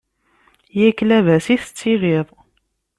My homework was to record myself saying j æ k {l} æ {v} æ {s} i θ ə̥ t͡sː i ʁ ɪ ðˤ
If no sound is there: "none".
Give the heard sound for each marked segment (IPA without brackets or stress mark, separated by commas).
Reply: l, v, s